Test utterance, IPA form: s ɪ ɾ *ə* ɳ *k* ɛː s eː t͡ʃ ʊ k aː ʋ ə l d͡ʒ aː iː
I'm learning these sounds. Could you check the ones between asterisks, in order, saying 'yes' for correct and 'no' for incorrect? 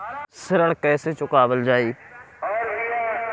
yes, yes

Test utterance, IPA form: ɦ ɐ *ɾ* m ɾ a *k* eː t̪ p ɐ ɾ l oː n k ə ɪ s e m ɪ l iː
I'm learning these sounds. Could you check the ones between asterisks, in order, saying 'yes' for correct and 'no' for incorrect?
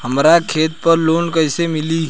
no, no

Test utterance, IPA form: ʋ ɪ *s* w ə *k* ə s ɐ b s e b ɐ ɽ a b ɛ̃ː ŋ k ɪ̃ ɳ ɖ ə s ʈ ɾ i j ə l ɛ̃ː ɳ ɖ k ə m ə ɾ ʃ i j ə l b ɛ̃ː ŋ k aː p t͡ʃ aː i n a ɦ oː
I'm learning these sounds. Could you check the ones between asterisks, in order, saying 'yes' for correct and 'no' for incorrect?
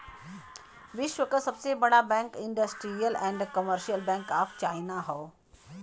no, yes

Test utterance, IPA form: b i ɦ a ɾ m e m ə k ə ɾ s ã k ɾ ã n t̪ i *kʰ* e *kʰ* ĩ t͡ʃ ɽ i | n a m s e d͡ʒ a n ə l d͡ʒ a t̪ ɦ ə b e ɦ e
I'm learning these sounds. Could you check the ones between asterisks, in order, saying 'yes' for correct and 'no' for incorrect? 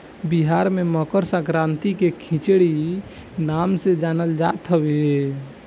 no, yes

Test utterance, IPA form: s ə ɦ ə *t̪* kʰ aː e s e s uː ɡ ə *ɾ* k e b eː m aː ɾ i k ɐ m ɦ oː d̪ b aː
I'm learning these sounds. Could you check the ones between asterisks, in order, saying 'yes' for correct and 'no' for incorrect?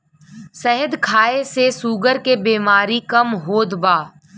no, yes

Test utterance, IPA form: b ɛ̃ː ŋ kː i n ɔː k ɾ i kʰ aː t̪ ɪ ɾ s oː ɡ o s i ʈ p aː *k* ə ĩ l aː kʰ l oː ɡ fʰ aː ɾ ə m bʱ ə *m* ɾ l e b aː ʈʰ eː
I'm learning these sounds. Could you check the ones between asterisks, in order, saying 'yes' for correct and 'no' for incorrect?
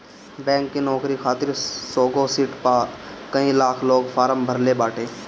yes, no

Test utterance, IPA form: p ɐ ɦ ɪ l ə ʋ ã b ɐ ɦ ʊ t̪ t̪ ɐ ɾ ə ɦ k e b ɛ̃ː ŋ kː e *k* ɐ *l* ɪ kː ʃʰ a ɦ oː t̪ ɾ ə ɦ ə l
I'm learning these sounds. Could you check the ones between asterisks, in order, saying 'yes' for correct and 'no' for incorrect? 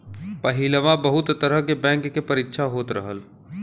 no, no

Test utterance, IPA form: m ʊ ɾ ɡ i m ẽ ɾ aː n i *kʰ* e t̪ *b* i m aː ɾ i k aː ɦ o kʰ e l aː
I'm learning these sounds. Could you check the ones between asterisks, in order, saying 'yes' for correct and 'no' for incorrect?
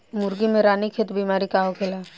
yes, yes

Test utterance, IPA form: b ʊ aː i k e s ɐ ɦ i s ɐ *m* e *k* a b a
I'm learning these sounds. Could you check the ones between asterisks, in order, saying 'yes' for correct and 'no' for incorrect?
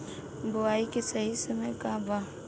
yes, yes

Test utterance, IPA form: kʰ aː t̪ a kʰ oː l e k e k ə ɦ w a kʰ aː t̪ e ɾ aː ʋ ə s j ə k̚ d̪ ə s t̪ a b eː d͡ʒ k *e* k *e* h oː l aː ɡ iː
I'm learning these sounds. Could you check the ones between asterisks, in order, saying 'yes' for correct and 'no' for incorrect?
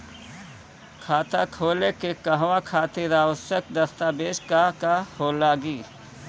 no, no

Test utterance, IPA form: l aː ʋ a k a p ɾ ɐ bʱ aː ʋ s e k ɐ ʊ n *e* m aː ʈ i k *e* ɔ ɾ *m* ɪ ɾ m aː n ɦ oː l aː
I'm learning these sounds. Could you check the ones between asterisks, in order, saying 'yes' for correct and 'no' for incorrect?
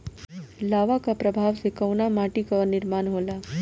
no, no, no

